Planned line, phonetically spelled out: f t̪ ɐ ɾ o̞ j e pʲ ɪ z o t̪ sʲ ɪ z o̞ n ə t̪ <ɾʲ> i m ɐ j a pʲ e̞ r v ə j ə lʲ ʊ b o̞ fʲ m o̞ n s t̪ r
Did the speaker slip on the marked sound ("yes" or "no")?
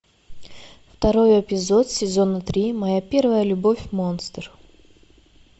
no